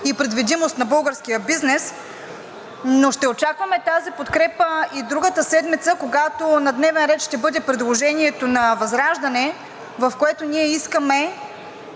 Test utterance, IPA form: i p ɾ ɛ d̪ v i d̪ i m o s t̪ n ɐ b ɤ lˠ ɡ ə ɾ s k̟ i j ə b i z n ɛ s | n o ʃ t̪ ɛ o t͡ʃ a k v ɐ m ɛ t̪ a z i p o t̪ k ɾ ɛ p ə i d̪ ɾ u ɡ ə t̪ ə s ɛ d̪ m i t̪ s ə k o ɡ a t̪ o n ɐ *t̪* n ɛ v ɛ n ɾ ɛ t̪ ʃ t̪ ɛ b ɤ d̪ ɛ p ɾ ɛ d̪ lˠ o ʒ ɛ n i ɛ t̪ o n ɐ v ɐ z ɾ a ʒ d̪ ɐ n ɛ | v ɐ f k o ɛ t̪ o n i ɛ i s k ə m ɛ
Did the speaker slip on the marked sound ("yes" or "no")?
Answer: yes